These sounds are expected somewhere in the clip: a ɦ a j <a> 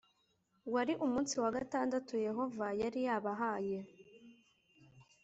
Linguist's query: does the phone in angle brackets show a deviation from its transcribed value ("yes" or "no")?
yes